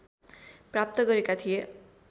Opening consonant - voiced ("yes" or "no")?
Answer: no